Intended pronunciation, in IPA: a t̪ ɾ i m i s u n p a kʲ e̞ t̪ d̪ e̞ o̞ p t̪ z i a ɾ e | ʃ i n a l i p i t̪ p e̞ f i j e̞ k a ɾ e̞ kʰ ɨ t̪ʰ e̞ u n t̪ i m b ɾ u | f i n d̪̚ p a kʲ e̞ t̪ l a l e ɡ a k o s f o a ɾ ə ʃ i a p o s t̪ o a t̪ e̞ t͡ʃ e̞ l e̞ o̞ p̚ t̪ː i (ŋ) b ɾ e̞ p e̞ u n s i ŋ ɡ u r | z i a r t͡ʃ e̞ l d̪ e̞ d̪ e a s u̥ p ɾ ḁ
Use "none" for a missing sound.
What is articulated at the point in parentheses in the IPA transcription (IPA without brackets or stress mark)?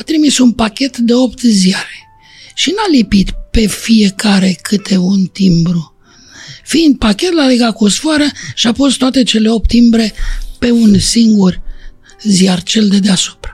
m